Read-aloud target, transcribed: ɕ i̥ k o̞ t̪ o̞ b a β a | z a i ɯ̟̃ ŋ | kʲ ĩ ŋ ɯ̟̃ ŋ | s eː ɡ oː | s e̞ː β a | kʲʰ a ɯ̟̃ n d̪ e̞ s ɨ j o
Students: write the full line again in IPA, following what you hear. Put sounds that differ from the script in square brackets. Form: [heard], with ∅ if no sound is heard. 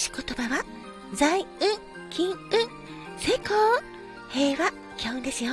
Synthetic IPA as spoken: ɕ i̥ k o̞ t̪ o̞ b a β a | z a i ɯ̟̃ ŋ | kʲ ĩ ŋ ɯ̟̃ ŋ | s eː [k] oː | [h] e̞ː β a | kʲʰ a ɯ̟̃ n d̪ e̞ s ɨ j o